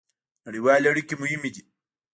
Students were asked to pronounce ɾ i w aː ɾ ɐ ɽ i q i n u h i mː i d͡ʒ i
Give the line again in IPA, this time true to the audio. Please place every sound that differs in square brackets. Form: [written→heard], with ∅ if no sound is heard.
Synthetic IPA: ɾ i w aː [ɾ→l] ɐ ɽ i [q→k] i [n→m] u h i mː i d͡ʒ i